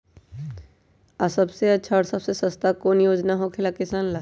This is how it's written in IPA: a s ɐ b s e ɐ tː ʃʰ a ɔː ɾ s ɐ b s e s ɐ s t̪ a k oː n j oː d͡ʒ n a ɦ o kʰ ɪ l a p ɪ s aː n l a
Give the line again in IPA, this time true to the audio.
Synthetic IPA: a s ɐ b s e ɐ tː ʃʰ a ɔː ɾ s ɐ b s e s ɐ s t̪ a k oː n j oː d͡ʒ n a ɦ o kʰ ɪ l a k ɪ s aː n l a